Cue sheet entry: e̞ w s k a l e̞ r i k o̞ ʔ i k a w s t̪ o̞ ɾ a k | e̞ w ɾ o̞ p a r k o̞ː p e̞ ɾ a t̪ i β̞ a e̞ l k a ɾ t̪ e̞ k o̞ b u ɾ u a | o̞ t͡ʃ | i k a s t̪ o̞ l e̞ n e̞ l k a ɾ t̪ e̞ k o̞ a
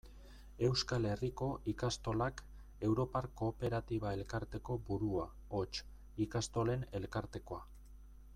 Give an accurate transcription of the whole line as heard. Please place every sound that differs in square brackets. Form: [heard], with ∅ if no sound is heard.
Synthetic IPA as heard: e̞ w s k a l e̞ r i k o̞ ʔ i k a [∅] s t̪ o̞ [l] a k | e̞ w ɾ o̞ p a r k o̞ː p e̞ ɾ a t̪ i β̞ a e̞ l k a ɾ t̪ e̞ k o̞ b u ɾ u a | o̞ t͡ʃ | i k a s t̪ o̞ l e̞ n e̞ l k a ɾ t̪ e̞ k o̞ a